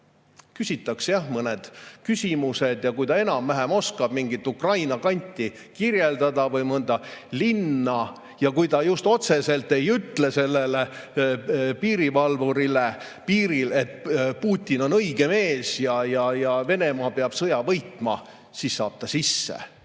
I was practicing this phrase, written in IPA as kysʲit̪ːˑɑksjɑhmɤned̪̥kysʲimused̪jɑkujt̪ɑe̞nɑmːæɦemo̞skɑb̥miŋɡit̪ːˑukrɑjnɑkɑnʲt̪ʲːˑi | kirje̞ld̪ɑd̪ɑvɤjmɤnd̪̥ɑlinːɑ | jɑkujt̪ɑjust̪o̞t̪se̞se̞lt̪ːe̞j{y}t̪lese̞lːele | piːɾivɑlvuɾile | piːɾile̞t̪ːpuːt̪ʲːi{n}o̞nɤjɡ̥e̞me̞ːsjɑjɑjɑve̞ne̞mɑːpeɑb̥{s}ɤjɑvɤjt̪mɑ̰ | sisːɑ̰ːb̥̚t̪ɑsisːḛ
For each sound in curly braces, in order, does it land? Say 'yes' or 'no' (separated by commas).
yes, yes, yes